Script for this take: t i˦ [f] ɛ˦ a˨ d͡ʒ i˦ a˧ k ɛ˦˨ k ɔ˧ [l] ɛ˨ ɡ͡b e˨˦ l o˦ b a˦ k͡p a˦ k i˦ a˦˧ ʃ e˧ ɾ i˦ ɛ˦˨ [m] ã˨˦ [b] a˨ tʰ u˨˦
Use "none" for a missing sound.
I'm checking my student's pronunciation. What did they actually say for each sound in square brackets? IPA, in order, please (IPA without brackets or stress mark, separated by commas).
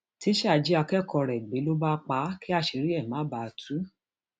ʃ, ɾ, m, b